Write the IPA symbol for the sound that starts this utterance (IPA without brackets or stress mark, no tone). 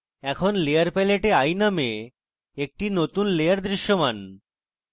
ɛ